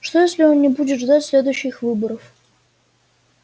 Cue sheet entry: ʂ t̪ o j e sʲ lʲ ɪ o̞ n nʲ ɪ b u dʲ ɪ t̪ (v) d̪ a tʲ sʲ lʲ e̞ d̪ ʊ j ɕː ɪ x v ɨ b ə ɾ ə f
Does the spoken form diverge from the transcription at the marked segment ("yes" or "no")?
yes